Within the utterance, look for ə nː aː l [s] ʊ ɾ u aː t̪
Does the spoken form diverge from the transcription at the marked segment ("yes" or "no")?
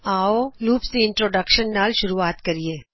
yes